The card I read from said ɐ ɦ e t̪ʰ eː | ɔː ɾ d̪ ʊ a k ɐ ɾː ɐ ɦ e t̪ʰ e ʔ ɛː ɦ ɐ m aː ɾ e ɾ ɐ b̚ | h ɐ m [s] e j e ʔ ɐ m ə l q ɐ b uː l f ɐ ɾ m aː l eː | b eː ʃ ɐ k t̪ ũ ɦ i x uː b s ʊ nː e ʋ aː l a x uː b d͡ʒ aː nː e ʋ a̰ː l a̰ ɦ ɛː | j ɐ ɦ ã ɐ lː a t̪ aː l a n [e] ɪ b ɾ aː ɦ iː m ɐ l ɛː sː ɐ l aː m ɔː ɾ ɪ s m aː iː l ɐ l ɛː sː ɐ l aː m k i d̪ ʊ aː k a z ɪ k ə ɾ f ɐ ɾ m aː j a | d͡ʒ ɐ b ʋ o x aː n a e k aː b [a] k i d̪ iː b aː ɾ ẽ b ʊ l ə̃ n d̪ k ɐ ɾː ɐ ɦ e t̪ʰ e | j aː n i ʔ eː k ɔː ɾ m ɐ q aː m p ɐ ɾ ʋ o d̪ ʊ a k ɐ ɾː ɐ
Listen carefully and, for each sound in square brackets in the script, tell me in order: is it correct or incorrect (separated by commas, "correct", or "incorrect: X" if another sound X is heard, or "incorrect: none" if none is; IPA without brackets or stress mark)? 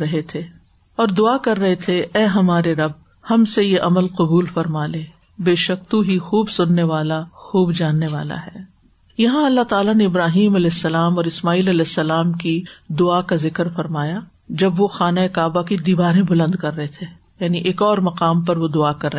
correct, correct, correct